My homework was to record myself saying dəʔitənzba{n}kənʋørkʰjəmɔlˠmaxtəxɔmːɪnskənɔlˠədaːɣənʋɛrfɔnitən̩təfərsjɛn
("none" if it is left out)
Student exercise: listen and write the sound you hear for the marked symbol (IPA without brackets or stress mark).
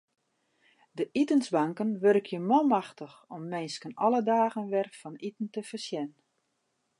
ŋ